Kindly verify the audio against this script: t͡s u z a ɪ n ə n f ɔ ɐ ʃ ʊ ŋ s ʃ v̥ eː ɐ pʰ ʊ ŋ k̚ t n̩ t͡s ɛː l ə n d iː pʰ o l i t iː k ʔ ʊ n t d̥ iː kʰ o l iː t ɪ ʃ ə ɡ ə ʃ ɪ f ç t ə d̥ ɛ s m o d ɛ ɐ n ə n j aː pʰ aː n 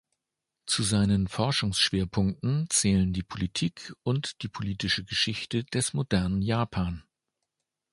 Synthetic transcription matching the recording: t͡s u z a ɪ n ə n f ɔ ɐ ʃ ʊ ŋ s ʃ v̥ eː ɐ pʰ ʊ ŋ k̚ t n̩ t͡s ɛː l ə n d iː pʰ o l i tʰ iː k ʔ ʊ n t d̥ iː pʰ o l iː t ɪ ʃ ə ɡ ə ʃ ɪ ç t ə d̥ ɛ s m o d ɛ ɐ n ə n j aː pʰ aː n

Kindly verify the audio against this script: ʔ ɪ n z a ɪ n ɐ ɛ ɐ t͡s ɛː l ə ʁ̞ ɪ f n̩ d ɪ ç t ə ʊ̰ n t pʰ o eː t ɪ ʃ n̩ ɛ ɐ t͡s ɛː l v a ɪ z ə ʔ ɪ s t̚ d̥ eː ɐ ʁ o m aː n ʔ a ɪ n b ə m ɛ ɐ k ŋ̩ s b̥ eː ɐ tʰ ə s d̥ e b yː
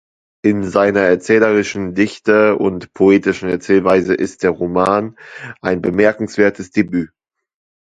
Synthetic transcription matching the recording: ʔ ɪ n z a ɪ n ɐ ɛ ɐ t͡s ɛː l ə ʁ̞ ɪ ʃ n̩ d ɪ ç t ə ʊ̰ n t pʰ o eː t ɪ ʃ n̩ ɛ ɐ t͡s ɛː l v a ɪ z ə ʔ ɪ s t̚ d̥ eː ɐ ʁ o m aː n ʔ a ɪ n b ə m ɛ ɐ k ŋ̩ s v̥ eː ɐ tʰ ə s d̥ e b yː

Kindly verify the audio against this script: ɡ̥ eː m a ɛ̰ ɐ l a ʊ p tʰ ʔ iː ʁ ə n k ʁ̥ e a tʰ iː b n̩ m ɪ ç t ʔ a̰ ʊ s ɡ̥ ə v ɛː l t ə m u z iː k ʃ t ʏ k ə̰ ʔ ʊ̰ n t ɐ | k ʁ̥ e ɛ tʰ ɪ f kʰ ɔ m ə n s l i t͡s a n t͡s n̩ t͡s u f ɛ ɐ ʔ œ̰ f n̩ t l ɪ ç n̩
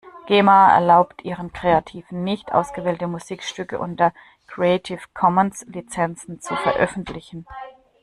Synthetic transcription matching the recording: ɡ̥ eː m a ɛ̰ ɐ l a ʊ p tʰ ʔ iː ʁ ə n k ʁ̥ e a tʰ iː v n̩ n ɪ ç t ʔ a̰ ʊ s ɡ̥ ə v ɛː l t ə m u z iː k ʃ t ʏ k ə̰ ʔ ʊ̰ n t ɐ | k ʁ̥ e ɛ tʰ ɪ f kʰ ɔ m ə n s l i t͡s ɛ n t͡s n̩ t͡s u f ɛ ɐ ʔ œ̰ f n̩ t l ɪ ç n̩

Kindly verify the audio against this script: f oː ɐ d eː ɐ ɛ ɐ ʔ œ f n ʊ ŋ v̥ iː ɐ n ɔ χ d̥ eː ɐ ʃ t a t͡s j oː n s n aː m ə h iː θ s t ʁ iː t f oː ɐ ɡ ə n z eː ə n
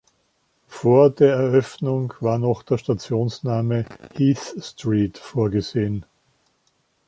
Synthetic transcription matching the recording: f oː ɐ d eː ɐ ɛ ɐ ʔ œ f n ʊ ŋ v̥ aː ɐ n ɔ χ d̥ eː ɐ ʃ t a t͡s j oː n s n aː m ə h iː θ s t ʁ iː t f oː ɐ ɡ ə z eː ə n

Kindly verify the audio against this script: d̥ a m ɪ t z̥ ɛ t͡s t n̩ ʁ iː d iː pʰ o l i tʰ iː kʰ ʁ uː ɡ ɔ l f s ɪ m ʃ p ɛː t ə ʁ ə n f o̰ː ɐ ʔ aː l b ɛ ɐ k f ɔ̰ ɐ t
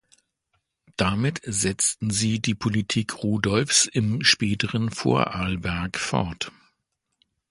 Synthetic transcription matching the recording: d̥ a m ɪ t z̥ ɛ t͡s t n̩ z iː d iː pʰ o l i tʰ iː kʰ ʁ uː d ɔ l f s ɪ m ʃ p ɛː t ə ʁ ə n f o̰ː ɐ ʔ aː l b ɛ ɐ k f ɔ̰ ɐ t

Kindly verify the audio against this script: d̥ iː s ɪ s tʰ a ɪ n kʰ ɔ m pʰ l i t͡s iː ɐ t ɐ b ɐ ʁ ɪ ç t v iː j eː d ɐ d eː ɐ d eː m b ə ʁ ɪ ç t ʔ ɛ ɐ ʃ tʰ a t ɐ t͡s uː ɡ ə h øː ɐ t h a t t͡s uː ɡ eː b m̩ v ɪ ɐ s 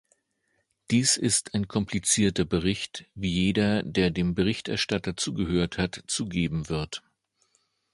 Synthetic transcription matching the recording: d̥ iː s ɪ s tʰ a ɪ n kʰ ɔ m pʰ l i t͡s iː ɐ t ɐ b ə ʁ ɪ ç t v iː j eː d ɐ d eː ɐ d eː m b ə ʁ ɪ ç t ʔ ɛ ɐ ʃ t a t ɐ t͡s uː ɡ ə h øː ɐ t h a t t͡s uː ɡ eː b m̩ v ɪ ɐ t

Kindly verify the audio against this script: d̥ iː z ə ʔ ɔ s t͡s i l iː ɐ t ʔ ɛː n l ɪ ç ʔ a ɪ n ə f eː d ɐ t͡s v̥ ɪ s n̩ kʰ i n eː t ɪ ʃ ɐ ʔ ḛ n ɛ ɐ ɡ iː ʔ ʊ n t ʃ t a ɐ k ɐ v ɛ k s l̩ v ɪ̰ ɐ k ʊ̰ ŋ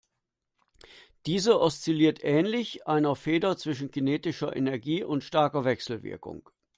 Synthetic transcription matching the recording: d̥ iː z ə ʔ ɔ s t͡s i l iː ɐ t ʔ ɛː n l ɪ ç ʔ a ɪ n ɐ f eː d ɐ t͡s v̥ ɪ ʃ n̩ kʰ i n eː t ɪ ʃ ɐ ʔ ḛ n ɛ ɐ ɡ iː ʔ ʊ n t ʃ t a ɐ k ɐ v ɛ k s l̩ v ɪ̰ ɐ k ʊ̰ ŋ

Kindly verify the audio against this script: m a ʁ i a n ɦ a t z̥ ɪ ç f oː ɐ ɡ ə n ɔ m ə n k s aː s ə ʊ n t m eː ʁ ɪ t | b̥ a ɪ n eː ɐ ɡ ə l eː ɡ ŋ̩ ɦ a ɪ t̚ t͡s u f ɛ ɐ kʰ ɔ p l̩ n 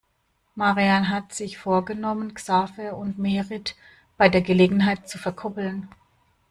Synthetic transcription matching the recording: m a ʁ i a n ɦ a t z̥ ɪ ç f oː ɐ ɡ ə n ɔ m ə n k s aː f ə ʊ n t m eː ʁ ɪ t | b̥ a ɪ d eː ɐ ɡ ə l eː ɡ ŋ̩ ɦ a ɪ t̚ t͡s u f ɛ ɐ kʰ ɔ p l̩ n

